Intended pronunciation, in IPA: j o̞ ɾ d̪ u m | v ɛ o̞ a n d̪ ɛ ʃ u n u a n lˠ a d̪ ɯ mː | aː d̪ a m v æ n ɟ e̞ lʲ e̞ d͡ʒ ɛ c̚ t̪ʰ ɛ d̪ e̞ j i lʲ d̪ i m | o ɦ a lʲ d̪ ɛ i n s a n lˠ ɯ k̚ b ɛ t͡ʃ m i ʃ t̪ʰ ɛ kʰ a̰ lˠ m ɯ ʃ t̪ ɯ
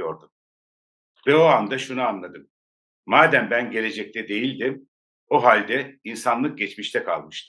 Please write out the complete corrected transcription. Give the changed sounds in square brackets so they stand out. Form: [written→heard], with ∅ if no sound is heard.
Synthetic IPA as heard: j o̞ ɾ d̪ u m | v ɛ o̞ a n d̪ [ɛ→a] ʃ u n u a n lˠ a d̪ ɯ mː | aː d̪ [a→æ] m [v→b] æ n ɟ e̞ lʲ e̞ d͡ʒ ɛ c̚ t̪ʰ ɛ d̪ e̞ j i lʲ d̪ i m | o ɦ a lʲ d̪ ɛ i n s a n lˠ ɯ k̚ [b→ɟ] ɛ t͡ʃ m i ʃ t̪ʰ ɛ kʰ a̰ lˠ m ɯ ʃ t̪ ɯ